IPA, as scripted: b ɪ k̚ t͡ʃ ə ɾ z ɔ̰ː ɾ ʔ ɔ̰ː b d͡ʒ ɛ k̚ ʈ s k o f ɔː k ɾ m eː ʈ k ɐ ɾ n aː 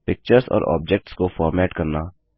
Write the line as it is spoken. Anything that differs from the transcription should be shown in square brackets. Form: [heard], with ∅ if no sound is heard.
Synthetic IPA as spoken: [p] ɪ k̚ t͡ʃ ə ɾ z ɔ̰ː ɾ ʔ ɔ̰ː b d͡ʒ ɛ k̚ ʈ s k o f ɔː [∅] ɾ m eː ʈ k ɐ ɾ n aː